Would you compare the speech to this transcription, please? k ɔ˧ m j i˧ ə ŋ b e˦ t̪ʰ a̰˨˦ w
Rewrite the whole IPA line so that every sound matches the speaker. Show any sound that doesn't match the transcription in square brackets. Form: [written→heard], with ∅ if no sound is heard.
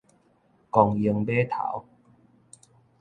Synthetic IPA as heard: k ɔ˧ [m→ŋ] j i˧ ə ŋ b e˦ t̪ʰ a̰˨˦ w